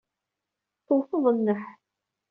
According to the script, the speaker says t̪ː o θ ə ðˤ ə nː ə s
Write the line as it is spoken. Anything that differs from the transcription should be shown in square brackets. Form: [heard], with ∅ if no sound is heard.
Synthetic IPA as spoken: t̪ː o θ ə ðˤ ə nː ə [ħ]